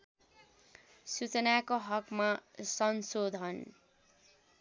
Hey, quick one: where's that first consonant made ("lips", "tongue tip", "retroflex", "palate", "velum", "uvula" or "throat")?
tongue tip